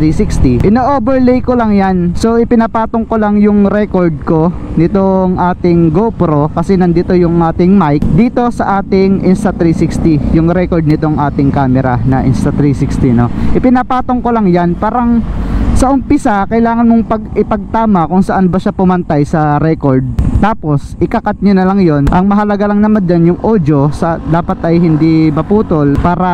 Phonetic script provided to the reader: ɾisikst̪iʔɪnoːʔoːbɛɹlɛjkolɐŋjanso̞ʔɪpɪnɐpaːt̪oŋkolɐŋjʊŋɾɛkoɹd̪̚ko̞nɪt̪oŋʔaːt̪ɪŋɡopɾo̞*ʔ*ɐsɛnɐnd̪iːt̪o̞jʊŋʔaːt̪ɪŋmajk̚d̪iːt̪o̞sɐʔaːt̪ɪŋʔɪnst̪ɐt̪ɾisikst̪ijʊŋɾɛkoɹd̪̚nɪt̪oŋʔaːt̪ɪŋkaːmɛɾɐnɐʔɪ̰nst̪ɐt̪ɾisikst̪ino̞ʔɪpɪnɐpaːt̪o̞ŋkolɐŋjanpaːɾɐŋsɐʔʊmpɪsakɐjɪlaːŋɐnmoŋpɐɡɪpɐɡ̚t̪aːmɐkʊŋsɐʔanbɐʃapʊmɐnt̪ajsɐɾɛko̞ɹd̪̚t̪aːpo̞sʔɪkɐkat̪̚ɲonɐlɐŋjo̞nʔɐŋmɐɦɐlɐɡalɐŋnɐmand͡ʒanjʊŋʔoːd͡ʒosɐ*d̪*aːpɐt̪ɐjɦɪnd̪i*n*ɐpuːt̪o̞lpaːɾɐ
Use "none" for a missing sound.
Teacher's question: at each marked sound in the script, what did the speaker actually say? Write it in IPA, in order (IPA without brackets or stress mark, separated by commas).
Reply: k, d̪, m